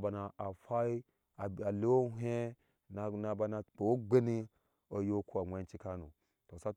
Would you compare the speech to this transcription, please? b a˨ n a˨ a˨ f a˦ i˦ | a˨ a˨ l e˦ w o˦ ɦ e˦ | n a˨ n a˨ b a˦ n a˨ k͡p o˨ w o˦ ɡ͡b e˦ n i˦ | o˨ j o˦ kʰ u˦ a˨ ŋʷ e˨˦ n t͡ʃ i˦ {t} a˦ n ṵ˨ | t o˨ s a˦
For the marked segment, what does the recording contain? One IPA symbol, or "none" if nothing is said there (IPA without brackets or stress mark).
k